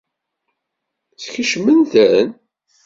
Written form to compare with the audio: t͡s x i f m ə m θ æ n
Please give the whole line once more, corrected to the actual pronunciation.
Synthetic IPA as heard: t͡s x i ʃ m ə n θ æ n